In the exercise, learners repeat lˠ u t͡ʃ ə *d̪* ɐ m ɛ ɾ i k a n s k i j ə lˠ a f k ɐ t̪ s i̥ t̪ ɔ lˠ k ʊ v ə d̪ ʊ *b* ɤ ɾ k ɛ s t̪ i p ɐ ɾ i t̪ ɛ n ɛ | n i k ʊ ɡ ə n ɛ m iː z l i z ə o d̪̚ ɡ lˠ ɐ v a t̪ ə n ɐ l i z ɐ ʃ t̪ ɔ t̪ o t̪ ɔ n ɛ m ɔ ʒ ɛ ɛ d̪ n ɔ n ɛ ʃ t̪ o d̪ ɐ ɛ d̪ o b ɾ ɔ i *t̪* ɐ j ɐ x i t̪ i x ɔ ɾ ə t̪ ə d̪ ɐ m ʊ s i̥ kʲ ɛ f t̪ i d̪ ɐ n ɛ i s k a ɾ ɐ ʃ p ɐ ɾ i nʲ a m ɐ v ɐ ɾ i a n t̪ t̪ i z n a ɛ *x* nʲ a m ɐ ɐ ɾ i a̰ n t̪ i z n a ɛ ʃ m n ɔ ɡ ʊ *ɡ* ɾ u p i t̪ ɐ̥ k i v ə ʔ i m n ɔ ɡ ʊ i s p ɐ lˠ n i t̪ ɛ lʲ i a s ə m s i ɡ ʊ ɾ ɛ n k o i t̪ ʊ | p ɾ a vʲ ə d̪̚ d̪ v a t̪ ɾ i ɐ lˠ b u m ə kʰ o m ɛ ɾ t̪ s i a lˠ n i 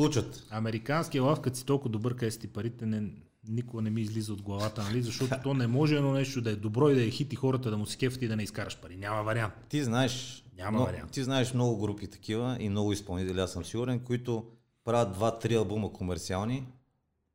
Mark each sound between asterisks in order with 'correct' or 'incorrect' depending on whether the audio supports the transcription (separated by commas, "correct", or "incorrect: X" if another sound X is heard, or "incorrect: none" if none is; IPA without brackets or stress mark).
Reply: incorrect: t̪, correct, incorrect: d̪, incorrect: ʃ, correct